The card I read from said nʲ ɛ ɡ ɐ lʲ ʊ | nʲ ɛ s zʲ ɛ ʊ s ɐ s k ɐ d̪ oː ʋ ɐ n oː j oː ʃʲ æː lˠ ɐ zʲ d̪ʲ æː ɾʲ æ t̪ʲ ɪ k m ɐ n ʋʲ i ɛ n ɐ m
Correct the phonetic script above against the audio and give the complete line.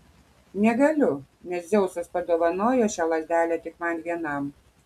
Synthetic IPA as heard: nʲ ɛ ɡ ɐ lʲ ʊ | nʲ ɛ s zʲ ɛ ʊ s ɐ s p ɐ d̪ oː ʋ ɐ n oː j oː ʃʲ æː lˠ ɐ zʲ d̪ʲ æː lʲ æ t̪ʲ ɪ k m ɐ n ʋʲ i ɛ n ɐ m

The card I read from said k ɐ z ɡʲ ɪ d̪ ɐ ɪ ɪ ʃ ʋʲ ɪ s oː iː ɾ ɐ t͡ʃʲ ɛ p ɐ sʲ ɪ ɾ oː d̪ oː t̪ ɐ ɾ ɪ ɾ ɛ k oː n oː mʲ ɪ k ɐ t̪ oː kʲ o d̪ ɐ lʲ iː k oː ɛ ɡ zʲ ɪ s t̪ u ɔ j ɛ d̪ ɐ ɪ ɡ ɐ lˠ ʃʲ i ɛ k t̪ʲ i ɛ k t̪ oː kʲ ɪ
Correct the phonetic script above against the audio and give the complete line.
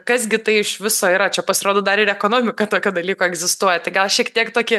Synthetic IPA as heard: k ɐ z ɡʲ ɪ t̪ ɐ ɪ ɪ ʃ ʋʲ ɪ s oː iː ɾ ɐ t͡ʃʲ ɛ p ɐ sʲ ɪ ɾ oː d̪ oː d̪ ɐ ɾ ɪ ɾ ɛ k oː n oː mʲ ɪ k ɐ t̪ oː kʲ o d̪ ɐ lʲ iː k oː ɛ ɡ zʲ ɪ s t̪ u ɔ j ɛ t̪ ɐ ɪ ɡ ɐ lˠ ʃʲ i ɛ k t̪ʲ i ɛ k t̪ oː kʲ ɪ

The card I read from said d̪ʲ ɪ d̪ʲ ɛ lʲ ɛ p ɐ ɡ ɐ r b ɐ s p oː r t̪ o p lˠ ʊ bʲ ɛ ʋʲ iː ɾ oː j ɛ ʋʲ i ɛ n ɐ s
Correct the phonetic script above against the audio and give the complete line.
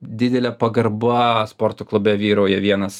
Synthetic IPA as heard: d̪ʲ ɪ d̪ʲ ɛ lʲ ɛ p ɐ ɡ ɐ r b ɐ s p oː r t̪ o k lˠ ʊ bʲ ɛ ʋʲ iː ɾ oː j ɛ ʋʲ i ɛ n ɐ s

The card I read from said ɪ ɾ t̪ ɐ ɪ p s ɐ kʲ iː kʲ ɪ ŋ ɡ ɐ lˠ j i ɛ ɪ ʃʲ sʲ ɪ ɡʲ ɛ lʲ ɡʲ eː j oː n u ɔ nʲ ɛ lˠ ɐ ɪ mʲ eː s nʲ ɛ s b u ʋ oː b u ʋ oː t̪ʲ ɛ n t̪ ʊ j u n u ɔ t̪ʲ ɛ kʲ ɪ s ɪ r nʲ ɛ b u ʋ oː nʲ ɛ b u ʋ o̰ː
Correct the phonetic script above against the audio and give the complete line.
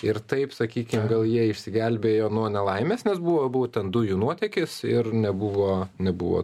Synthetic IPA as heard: ɪ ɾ t̪ ɐ ɪ p s ɐ kʲ iː kʲ ɪ m ɡ ɐ lˠ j i ɛ ɪ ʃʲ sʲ ɪ ɡʲ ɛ lʲ bʲ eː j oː n u ɔ nʲ ɛ lˠ ɐ ɪ mʲ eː s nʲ ɛ s b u ʋ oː b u ʋ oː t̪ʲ ɛ n d̪ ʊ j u n u ɔ t̪ʲ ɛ kʲ ɪ s ɪ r nʲ ɛ b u ʋ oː nʲ ɛ b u ʋ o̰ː

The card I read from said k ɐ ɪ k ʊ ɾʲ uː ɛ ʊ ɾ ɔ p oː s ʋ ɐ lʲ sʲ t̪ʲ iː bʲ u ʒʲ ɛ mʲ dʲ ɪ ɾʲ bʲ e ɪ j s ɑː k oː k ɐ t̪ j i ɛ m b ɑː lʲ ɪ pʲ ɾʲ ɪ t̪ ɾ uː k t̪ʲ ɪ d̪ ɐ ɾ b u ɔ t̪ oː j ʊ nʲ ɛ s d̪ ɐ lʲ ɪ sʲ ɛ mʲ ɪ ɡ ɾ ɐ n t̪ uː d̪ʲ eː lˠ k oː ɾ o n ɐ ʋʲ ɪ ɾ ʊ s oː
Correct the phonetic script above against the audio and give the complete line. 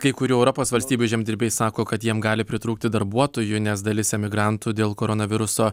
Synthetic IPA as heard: k ɐ ɪ k ʊ ɾʲ uː ɛ ʊ ɾ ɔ p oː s ʋ ɐ lʲ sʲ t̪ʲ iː bʲ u ʒʲ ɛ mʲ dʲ ɪ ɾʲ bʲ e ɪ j s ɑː k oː k ɐ t̪ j i ɛ m ɡ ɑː lʲ ɪ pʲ ɾʲ ɪ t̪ ɾ uː k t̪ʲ ɪ d̪ ɐ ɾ b u ɔ t̪ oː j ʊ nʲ ɛ s d̪ ɐ lʲ ɪ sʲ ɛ mʲ ɪ ɡ ɾ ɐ n t̪ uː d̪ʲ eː lˠ k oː ɾ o n ɐ ʋʲ ɪ ɾ ʊ s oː

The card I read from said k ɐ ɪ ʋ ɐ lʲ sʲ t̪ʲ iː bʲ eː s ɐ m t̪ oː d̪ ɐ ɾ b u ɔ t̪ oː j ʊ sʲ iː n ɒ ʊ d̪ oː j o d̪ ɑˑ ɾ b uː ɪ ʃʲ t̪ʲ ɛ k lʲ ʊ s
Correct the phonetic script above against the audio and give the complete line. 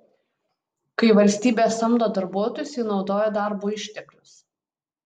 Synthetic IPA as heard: k ɐ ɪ ʋ ɐ lʲ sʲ t̪ʲ iː bʲ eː s ɐ m d̪ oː d̪ ɐ ɾ b u ɔ t̪ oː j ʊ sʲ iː n ɒ ʊ d̪ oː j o d̪ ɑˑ ɾ b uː ɪ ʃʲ t̪ʲ ɛ k lʲ ʊ s

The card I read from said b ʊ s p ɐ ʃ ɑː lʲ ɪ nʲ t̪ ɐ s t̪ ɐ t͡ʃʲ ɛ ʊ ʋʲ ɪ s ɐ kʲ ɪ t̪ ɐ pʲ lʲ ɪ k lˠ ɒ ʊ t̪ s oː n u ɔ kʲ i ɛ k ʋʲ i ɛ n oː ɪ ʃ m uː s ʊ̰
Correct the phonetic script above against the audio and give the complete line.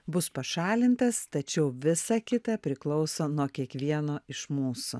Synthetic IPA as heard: b ʊ s p ɐ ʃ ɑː lʲ ɪ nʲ t̪ ɐ s t̪ ɐ t͡ʃʲ ɛ ʊ ʋʲ ɪ s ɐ kʲ ɪ t̪ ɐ pʲ ɾʲ ɪ k lˠ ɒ ʊ s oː n u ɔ kʲ i ɛ k ʋʲ i ɛ n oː ɪ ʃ m uː s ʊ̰

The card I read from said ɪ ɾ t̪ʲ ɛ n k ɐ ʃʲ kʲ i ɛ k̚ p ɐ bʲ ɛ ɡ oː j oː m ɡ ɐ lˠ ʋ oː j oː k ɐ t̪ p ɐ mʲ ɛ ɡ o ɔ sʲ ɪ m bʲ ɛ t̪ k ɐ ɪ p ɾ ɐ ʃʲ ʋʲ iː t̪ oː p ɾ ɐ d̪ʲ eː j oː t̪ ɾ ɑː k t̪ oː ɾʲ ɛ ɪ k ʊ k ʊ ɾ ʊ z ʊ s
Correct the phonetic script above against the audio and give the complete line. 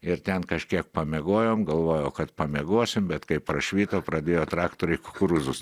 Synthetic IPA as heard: ɪ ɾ t̪ʲ ɛ n k ɐ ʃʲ kʲ i ɛ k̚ p ɐ mʲ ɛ ɡ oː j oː m ɡ ɐ lˠ ʋ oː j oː k ɐ t̪ p ɐ mʲ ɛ ɡ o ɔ sʲ ɪ m bʲ ɛ t̪ k ɐ ɪ p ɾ ɐ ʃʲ ʋʲ iː t̪ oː p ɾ ɐ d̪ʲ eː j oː t̪ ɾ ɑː k t̪ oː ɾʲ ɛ ɪ k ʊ k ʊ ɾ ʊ z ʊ s

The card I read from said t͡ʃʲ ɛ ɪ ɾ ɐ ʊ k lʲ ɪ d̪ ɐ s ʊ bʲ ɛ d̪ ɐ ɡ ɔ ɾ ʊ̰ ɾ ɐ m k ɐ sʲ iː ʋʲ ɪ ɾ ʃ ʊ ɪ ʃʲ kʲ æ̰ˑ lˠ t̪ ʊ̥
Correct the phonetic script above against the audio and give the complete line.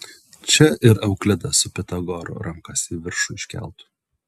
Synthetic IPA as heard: t͡ʃʲ ɛ ɪ ɾ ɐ ʊ k lʲ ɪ d̪ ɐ s ʊ pʲ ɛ t̪ ɐ ɡ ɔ ɾ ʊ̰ ɾ ɐ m k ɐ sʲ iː ʋʲ ɪ ɾ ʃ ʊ ɪ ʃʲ kʲ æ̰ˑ lˠ t̪ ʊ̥

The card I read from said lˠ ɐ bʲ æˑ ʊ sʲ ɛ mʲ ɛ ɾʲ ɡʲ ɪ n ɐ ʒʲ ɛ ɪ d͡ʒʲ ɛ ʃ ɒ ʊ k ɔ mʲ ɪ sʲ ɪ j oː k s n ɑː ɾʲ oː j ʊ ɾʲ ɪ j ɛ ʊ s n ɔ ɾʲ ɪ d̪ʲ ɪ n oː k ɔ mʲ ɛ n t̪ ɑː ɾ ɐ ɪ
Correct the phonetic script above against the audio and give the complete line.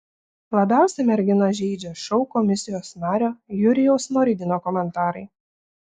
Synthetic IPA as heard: lˠ ɐ bʲ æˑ ʊ sʲ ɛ mʲ ɛ ɾʲ ɡʲ ɪ n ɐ ʒʲ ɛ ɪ d͡ʒʲ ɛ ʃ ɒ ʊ k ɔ mʲ ɪ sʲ ɪ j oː s n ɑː ɾʲ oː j ʊ ɾʲ ɪ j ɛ ʊ s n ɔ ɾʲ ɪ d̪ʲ ɪ n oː k ɔ mʲ ɛ n t̪ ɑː ɾ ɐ ɪ

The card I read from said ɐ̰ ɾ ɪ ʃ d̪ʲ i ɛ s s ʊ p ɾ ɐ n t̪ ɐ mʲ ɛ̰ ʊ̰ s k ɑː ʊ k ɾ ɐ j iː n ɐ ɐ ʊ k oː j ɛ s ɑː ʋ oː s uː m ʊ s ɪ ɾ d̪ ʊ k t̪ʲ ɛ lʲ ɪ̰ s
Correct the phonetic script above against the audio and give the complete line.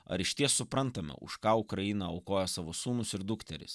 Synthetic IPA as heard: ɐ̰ ɾ ɪ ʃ t̪ʲ i ɛ s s ʊ p ɾ ɐ n t̪ ɐ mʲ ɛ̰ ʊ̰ ʃ k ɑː ʊ k ɾ ɐ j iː n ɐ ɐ ʊ k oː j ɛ s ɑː ʋ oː s uː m ʊ s ɪ ɾ d̪ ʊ k t̪ʲ ɛ ɾʲ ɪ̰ s

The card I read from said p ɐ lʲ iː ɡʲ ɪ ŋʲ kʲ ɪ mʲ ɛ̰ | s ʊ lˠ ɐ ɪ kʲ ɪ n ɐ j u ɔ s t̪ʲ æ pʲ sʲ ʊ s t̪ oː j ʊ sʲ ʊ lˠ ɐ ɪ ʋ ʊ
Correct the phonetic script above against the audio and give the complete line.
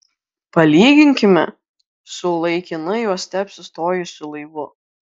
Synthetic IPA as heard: p ɐ lʲ iː ɡʲ ɪ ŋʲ kʲ ɪ mʲ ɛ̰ | s ʊ lˠ ɐ ɪ kʲ ɪ n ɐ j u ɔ s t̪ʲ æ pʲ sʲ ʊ s t̪ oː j ʊ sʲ ʊ lˠ ɐ ɪ ʋ ʊ

